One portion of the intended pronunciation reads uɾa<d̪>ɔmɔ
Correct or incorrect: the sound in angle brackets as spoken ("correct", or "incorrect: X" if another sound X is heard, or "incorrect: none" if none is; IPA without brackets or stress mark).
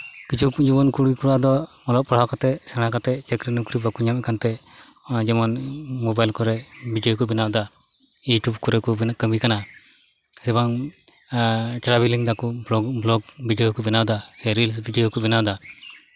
correct